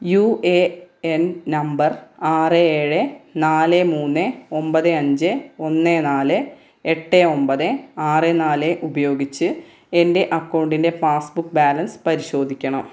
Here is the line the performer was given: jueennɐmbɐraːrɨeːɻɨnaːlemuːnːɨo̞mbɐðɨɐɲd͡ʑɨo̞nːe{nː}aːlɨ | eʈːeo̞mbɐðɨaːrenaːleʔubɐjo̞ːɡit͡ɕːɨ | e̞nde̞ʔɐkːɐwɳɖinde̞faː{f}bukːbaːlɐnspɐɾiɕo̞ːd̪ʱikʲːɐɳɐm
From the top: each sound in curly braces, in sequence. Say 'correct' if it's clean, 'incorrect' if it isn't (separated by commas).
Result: incorrect, incorrect